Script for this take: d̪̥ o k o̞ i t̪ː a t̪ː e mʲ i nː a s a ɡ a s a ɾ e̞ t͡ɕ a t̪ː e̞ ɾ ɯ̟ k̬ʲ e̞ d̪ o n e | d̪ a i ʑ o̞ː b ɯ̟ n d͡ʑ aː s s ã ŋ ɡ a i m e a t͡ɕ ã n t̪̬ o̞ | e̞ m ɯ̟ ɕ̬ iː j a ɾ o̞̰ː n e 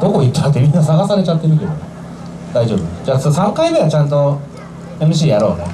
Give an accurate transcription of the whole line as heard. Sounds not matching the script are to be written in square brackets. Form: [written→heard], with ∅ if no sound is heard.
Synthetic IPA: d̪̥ o k o̞ i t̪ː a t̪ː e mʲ i nː a s a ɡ a s a ɾ e̞ t͡ɕ a t̪ː e̞ ɾ ɯ̟ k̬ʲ e̞ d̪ o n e | d̪ a i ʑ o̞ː b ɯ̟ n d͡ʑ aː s s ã ŋ [ɡ→k] a i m e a t͡ɕ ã n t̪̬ o̞ | e̞ m ɯ̟ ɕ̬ iː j a ɾ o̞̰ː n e